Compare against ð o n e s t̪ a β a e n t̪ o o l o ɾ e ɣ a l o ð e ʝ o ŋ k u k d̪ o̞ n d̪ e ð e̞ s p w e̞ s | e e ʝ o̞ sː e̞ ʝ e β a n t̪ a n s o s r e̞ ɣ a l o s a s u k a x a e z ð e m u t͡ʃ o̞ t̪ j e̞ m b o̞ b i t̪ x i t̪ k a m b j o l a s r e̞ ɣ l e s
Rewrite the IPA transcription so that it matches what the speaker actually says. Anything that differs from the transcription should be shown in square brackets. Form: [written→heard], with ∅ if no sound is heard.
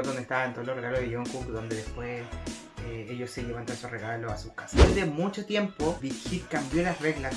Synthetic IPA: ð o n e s t̪ a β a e n t̪ o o l o [ɾ→r] e ɣ a l o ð e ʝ o ŋ k u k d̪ o̞ n d̪ e ð e̞ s p w e̞ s | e e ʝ o̞ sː e̞ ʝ e β a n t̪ a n s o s r e̞ ɣ a l o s a s u k a [x→s] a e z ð e m u t͡ʃ o̞ t̪ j e̞ m [b→p] o̞ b i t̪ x i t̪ k a m b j o l a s r e̞ ɣ l [e→a] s

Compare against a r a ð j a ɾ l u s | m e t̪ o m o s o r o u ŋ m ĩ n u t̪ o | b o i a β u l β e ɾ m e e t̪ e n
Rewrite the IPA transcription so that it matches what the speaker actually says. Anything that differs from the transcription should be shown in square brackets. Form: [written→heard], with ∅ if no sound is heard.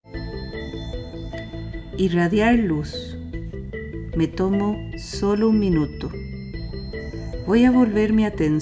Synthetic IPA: [a→i] r a ð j a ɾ l u s | m e t̪ o m o s o [r→l] o u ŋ m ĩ n u t̪ o | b o [i→j] a β [u→o] l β e ɾ m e [e→a] t̪ e n

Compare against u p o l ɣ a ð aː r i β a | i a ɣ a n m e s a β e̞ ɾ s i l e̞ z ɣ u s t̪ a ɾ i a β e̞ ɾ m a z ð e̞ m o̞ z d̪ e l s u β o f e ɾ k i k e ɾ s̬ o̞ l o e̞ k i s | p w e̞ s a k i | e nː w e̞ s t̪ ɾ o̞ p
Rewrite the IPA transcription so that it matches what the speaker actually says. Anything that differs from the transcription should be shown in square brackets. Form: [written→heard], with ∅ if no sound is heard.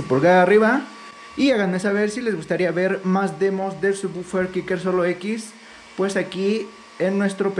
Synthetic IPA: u p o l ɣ a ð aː r i β a | i a ɣ a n m e s a β e̞ ɾ s i l e̞ z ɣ u s t̪ a ɾ i a β e̞ ɾ m a z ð e̞ m o̞ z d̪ e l s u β [o→u] f e ɾ k i k e ɾ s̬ o̞ l o e̞ k i s | p w e̞ s a k i | e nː w e̞ s t̪ ɾ o̞ p

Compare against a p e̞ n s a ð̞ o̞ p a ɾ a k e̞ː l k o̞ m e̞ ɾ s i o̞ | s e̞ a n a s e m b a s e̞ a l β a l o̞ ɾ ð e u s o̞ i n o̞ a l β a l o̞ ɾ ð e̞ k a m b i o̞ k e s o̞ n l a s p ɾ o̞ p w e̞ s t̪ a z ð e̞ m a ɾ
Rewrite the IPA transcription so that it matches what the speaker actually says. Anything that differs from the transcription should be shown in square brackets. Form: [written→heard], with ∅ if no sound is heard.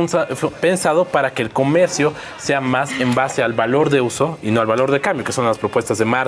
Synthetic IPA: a p e̞ n s a ð̞ o̞ p a ɾ a k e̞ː l k o̞ m e̞ ɾ s [i→j] o̞ | s e̞ a [n→m] a s e m b a s e̞ a l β a l o̞ ɾ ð e u s o̞ i n o̞ a l β a l o̞ ɾ ð e̞ k a m b [i→j] o̞ k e s o̞ n l a s p ɾ o̞ p w e̞ s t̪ a z ð e̞ m a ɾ

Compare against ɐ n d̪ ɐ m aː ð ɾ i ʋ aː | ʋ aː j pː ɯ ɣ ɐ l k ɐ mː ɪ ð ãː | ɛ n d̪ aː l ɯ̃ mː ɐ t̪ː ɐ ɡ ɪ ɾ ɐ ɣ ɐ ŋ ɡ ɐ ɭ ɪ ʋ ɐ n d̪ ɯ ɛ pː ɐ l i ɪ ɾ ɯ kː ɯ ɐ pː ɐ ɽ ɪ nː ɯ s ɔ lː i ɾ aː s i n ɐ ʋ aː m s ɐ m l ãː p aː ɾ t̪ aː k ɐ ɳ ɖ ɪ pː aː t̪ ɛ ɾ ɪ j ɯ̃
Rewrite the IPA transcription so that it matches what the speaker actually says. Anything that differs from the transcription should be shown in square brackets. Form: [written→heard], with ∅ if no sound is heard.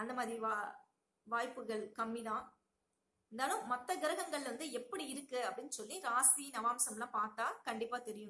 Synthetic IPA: ɐ n d̪ ɐ m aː ð ɾ i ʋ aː | ʋ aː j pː ɯ ɣ ɐ [l→ɭ] k ɐ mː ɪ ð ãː | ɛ n d̪ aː l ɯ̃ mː ɐ t̪ː ɐ ɡ ɪ ɾ ɐ ɣ ɐ ŋ ɡ ɐ ɭ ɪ ʋ ɐ n d̪ ɯ ɛ pː ɐ [l→ɽ] i ɪ ɾ ɯ kː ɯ ɐ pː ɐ ɽ ɪ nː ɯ s ɔ lː i ɾ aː s i n ɐ ʋ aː m s ɐ m l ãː p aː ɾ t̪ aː k ɐ ɳ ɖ ɪ pː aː t̪ ɛ ɾ ɪ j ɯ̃

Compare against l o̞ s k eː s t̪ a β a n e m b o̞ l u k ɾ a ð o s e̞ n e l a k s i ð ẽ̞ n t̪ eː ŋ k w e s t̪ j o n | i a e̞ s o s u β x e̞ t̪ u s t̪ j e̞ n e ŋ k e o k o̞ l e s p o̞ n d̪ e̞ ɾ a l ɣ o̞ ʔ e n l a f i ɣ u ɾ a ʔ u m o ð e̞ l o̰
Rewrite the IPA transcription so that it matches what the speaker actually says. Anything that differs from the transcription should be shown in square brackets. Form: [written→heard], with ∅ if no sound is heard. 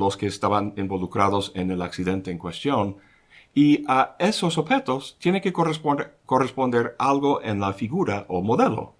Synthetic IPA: l o̞ s k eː s t̪ a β a n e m b o̞ l u k ɾ a ð o s e̞ n e l a k s i ð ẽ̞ n t̪ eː ŋ k w e s t̪ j o n | i a e̞ s o s [u→o] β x e̞ t̪ [u→o] s t̪ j e̞ n e ŋ k e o k o̞ [l→r] e s p o̞ n d̪ e̞ ɾ a l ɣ o̞ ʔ e n l a f i ɣ u ɾ a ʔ [u→o] m o ð e̞ l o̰

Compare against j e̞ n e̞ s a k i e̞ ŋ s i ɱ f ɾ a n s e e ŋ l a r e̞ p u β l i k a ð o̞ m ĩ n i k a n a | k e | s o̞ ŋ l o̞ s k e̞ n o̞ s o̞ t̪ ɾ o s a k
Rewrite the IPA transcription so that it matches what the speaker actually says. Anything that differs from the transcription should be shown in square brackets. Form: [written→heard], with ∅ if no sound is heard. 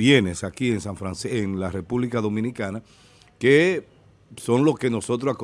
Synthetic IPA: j e̞ n e̞ s a k i e̞ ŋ s [i→a] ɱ f ɾ a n s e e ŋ l a r e̞ p u β l i k a ð o̞ m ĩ n i k a n a | k e | s o̞ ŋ l o̞ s k e̞ n o̞ s o̞ t̪ ɾ o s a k

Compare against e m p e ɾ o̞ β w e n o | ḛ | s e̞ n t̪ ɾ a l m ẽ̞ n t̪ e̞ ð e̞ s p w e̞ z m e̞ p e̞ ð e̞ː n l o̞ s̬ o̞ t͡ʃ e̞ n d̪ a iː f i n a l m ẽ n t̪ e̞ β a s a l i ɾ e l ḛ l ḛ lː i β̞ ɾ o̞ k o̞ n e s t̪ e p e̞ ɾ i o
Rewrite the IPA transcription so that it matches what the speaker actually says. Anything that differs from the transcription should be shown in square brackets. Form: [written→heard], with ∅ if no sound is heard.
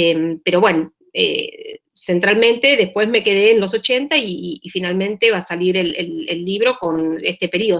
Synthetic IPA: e m p e ɾ o̞ β w e n o | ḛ | s e̞ n t̪ ɾ a l m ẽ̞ n t̪ e̞ ð e̞ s p w e̞ z m e̞ [p→k] e̞ ð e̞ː n l o̞ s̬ o̞ t͡ʃ e̞ n [d̪→t̪] a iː f i n a l m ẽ n t̪ e̞ β a s a l i ɾ e l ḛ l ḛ lː i β̞ ɾ o̞ k o̞ n e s t̪ e p e̞ ɾ i o

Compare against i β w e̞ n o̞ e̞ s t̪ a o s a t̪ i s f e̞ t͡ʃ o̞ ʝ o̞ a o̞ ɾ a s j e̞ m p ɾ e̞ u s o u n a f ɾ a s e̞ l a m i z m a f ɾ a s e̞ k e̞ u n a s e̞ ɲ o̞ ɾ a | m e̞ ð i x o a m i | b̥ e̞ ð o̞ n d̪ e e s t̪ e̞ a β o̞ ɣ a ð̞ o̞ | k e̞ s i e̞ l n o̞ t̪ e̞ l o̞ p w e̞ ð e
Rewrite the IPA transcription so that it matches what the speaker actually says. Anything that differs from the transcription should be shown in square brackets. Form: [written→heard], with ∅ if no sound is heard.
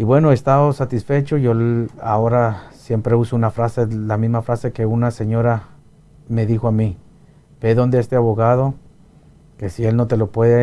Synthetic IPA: i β w e̞ n o̞ e̞ s t̪ a o s a t̪ i s f e̞ t͡ʃ o̞ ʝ o̞ a o̞ ɾ a s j e̞ m p ɾ e̞ u s o u n a f ɾ a s e̞ l a m i z m a f ɾ a s e̞ k e̞ u n a s e̞ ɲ o̞ ɾ a | m e̞ ð i x o a m i | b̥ e̞ ð o̞ n d̪ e e s t̪ e̞ a β o̞ ɣ a ð̞ o̞ | k e̞ s i e̞ l n o̞ t̪ e̞ l o̞ p w e̞ ð e

